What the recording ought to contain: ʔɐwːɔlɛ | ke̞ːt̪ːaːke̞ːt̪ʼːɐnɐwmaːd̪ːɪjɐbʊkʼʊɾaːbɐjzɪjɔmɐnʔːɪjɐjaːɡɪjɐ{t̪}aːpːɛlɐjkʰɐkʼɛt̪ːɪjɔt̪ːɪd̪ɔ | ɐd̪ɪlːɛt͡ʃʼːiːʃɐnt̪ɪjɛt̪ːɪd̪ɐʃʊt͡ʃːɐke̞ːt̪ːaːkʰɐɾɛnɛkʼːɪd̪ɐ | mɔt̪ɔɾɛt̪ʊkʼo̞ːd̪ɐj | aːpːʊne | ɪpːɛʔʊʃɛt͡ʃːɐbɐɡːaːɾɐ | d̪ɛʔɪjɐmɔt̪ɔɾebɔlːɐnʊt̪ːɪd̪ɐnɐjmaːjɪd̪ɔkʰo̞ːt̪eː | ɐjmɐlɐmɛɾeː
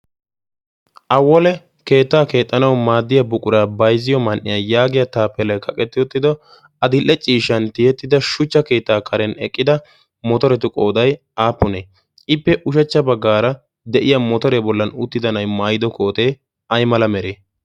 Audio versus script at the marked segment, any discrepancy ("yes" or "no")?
no